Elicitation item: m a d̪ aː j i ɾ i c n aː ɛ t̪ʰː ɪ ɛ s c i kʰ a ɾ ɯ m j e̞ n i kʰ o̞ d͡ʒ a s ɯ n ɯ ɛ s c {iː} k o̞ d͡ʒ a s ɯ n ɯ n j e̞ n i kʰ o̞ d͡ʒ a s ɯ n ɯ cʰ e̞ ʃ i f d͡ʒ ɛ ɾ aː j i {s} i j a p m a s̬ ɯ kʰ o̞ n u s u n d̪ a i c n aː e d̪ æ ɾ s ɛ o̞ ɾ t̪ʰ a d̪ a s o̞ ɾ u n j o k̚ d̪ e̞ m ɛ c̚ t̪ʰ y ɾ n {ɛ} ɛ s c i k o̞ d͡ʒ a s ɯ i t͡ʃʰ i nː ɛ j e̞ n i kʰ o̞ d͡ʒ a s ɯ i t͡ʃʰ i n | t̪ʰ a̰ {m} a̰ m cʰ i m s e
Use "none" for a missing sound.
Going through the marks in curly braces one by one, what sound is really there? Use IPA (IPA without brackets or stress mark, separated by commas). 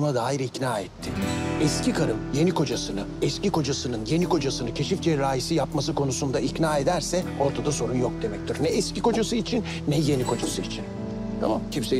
i, s, ɛ, m